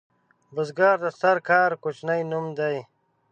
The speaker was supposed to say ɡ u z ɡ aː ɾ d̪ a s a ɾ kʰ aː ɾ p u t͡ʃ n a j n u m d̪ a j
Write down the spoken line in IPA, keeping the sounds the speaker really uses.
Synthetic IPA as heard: b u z ɡ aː ɾ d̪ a s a ɾ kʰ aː ɾ k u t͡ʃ n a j n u m d̪ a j